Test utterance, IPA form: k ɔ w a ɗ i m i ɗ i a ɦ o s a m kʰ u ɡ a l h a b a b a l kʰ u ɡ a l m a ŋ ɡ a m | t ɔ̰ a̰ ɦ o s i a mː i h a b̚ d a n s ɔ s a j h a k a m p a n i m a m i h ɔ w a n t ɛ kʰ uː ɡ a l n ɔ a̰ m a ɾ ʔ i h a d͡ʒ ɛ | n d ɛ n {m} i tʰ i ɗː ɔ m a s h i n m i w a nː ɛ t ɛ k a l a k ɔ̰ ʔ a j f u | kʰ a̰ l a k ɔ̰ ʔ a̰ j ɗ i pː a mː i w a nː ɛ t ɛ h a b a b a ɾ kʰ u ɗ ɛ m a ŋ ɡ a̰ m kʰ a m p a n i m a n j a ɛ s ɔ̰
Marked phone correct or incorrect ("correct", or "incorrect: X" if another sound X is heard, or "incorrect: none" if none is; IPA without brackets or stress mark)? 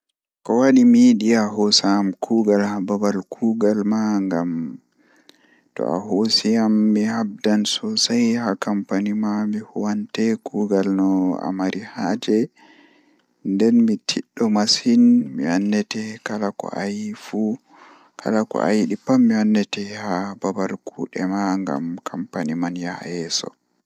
correct